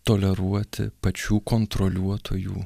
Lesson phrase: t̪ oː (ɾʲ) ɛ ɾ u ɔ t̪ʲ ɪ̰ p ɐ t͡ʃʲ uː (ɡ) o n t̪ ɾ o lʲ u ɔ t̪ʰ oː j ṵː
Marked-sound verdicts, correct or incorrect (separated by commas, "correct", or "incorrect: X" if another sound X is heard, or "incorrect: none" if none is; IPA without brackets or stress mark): incorrect: lʲ, incorrect: k